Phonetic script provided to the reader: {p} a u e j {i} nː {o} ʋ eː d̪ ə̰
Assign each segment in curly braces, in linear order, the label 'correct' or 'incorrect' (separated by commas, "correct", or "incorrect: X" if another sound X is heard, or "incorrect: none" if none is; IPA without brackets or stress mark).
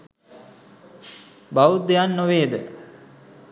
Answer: incorrect: b, incorrect: a, correct